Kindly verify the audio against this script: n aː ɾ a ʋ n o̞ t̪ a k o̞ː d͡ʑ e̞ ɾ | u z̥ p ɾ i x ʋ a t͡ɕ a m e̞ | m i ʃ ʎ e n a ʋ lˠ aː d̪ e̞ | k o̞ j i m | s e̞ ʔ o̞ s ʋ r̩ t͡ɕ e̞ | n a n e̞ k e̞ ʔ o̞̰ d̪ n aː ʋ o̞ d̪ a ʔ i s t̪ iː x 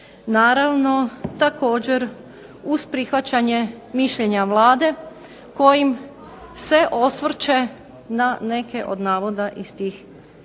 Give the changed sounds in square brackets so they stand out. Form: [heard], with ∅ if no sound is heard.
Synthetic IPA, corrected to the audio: n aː ɾ a ʋ n o̞ t̪ a k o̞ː d͡ʑ e̞ ɾ | u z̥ p ɾ i x ʋ a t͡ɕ a [ɲ] e̞ | m i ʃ ʎ e [ɲ] a ʋ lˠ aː d̪ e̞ | k o̞ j i m | s e̞ ʔ o̞ s ʋ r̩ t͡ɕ e̞ | n a n e̞ k e̞ ʔ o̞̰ d̪ n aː ʋ o̞ d̪ a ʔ i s t̪ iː x

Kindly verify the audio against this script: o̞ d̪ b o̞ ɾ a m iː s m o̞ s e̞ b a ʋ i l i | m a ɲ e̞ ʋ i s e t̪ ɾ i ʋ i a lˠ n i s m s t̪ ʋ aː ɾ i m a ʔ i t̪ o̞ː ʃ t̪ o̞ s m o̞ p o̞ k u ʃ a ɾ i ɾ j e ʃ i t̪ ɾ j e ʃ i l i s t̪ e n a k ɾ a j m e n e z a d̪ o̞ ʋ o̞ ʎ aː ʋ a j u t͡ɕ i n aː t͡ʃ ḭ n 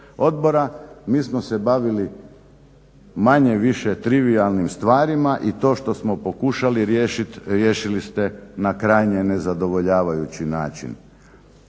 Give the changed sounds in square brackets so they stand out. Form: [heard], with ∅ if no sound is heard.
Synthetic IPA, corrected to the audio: o̞ d̪ b o̞ ɾ a m iː s m o̞ s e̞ b a ʋ i l i | m a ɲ e̞ ʋ i [ʃ] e t̪ ɾ i ʋ i a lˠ n i [∅] m s t̪ ʋ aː ɾ i m a ʔ i t̪ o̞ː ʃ t̪ o̞ s m o̞ p o̞ k u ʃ a [l] i ɾ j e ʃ i t̪ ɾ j e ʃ i l i s t̪ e n a k ɾ a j [ɲ] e n e z a d̪ o̞ ʋ o̞ ʎ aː ʋ a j u t͡ɕ i n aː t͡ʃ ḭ n

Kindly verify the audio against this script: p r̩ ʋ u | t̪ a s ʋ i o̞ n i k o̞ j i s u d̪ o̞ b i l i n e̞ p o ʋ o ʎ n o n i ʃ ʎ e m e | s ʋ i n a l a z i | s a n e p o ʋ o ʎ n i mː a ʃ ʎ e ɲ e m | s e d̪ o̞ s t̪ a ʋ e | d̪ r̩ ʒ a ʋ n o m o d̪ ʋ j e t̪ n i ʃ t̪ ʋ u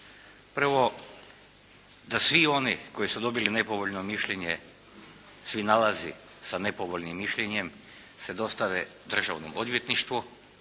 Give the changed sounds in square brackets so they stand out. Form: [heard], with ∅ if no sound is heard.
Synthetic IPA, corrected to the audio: p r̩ ʋ [o] | [d̪] a s ʋ i o̞ n i k o̞ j i s u d̪ o̞ b i l i n e̞ p o ʋ o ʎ n o [m] i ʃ ʎ e [ɲ] e | s ʋ i n a l a z i | s a n e p o ʋ o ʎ n i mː [i] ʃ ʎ e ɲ e m | s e d̪ o̞ s t̪ a ʋ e | d̪ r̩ ʒ a ʋ n o m o d̪ ʋ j e t̪ n i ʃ t̪ ʋ u

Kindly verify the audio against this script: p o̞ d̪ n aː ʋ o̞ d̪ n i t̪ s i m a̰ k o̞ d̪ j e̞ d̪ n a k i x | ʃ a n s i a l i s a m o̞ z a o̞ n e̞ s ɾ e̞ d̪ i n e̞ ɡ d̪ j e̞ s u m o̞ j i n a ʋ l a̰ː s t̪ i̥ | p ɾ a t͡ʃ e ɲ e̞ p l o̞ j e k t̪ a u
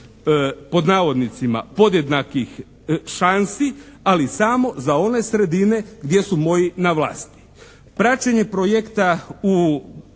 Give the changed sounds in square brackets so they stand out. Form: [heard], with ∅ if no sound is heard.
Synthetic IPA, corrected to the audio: p o̞ d̪ n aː ʋ o̞ d̪ n i t̪ s i m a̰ [p] o̞ d̪ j e̞ d̪ n a k i x | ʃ a n s i a l i s a m o̞ z a o̞ n e̞ s ɾ e̞ d̪ i n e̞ ɡ d̪ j e̞ s u m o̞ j i n a ʋ l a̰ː s t̪ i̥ | p ɾ a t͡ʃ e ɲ e̞ p [ɾ] o̞ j e k t̪ a u

